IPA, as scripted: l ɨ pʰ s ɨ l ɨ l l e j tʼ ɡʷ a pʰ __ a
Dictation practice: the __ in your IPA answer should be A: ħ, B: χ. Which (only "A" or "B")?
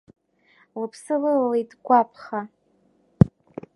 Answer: B